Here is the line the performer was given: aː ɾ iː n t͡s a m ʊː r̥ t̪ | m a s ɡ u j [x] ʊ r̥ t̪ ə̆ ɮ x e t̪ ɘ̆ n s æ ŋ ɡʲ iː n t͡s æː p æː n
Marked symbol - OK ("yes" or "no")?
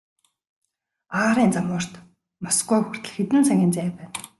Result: yes